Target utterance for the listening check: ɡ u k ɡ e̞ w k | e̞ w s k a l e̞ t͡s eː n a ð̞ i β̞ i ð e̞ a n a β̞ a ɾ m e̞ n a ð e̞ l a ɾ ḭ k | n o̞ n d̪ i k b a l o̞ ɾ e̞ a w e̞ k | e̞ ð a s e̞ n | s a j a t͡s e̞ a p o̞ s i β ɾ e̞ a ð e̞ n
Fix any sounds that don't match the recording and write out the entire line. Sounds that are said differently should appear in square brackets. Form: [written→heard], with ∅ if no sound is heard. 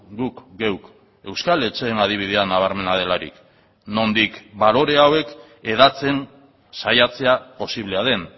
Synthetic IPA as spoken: ɡ u k ɡ e̞ w k | e̞ w s k a l e̞ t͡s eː n a ð̞ i β̞ i ð e̞ a n a β̞ a ɾ m e̞ n a ð e̞ l a ɾ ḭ k | n o̞ n d̪ i k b a l o̞ ɾ e̞ a w e̞ k | e̞ ð a [s→t͡s] e̞ n | s a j a t͡s e̞ a p o̞ s i β [ɾ→l] e̞ a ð e̞ n